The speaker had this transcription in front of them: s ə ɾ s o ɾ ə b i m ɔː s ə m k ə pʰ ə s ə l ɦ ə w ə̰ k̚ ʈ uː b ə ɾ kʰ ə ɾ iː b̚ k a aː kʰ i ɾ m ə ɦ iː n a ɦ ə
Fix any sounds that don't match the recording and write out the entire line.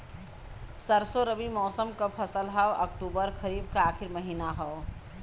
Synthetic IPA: s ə ɾ s o ɾ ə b i m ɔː s ə m k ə pʰ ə s ə l ɦ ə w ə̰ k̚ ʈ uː b ə ɾ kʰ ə ɾ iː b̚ k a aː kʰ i ɾ m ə ɦ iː n a ɦ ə